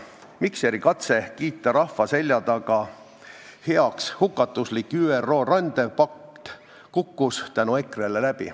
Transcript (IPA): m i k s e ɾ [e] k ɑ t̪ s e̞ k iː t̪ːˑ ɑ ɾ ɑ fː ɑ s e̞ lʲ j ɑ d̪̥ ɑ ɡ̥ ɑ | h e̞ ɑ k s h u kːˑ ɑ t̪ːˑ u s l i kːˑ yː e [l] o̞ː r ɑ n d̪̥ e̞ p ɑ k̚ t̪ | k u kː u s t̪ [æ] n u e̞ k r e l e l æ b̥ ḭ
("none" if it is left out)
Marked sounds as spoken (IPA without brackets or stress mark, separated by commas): i, r, æ